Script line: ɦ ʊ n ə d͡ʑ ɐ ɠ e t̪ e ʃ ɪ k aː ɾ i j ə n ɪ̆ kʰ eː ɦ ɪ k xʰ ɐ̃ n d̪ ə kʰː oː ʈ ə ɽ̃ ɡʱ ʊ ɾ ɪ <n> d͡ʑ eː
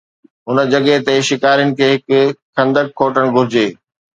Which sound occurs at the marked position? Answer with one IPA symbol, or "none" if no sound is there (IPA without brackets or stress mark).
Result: none